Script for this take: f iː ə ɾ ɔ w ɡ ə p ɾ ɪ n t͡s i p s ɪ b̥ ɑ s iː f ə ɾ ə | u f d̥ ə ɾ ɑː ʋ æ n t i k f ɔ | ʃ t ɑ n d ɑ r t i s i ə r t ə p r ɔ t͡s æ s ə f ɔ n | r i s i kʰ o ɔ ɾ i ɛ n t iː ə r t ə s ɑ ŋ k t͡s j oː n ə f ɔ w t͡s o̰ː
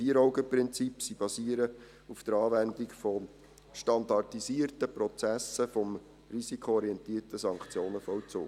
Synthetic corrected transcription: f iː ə ɾ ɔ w ɡ ə p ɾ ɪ n t͡s i p s i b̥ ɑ s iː ə ɾ ə | u f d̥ ə ɾ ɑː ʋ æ n d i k f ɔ | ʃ t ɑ n d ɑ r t i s i ə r t ə p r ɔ t͡s æ s ə f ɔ m | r i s i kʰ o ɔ ɾ i ɛ n t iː ə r t ə s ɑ ŋ k t͡s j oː n ə f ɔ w t͡s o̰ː

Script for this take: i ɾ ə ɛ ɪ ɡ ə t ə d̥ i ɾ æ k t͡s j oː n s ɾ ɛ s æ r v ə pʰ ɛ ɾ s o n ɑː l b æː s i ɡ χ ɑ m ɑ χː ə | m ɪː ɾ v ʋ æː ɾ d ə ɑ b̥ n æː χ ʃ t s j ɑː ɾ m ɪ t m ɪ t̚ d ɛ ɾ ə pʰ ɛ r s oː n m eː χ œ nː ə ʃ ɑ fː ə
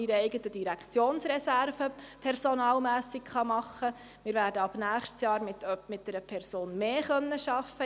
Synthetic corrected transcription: i ɾ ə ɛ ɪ ɡ ə t ə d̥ i ɾ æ k t͡s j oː n s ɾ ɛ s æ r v ə pʰ ɛ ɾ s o n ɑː l m æː s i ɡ χ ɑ m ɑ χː ə | m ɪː ɾ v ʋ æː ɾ d ə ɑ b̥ n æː χ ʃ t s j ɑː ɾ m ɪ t m ɪ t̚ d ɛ ɾ ə pʰ ɛ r s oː n m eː χ œ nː ə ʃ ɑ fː ə

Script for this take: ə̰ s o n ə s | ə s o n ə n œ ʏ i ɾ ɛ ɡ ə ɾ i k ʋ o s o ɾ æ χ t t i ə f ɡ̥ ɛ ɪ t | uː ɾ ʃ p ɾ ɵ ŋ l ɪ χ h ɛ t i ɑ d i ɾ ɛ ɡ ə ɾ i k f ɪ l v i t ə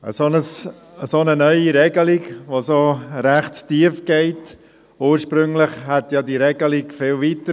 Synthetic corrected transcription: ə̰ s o n ə s | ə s o n ə n œ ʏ i ɾ ɛ ɡ ə l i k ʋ o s o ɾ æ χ t t i ə f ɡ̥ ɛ ɪ t | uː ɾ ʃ p ɾ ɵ ŋ l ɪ χ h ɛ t j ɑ d i ɾ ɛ ɡ ə l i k f ɪ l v i t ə

